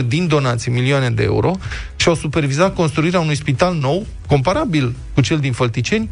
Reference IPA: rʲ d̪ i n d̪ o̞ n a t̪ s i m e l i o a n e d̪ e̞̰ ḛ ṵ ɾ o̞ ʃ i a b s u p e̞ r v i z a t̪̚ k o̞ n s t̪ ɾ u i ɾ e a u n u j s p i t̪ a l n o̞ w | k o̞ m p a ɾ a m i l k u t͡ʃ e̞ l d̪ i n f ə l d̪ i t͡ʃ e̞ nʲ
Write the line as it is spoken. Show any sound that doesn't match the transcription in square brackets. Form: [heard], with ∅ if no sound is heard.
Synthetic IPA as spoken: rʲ d̪ i n d̪ o̞ n a t̪ s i m [i] l i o a n e d̪ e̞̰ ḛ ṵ ɾ o̞ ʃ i a [w] s u p e̞ r v i z a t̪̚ k o̞ n s t̪ ɾ u i ɾ e a u n u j s p i t̪ a l n o̞ w | k o̞ m p a ɾ a [b] i l k u t͡ʃ e̞ l d̪ i n f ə l [t̪] i t͡ʃ e̞ nʲ